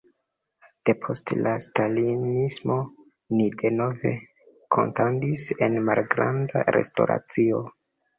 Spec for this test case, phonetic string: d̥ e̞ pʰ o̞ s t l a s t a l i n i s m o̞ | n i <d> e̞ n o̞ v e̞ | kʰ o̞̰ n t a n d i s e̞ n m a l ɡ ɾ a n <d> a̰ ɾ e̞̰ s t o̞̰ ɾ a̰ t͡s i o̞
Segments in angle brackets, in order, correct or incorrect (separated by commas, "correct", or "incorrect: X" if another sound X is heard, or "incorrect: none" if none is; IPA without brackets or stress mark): correct, correct